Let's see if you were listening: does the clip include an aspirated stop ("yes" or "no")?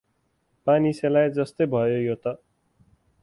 no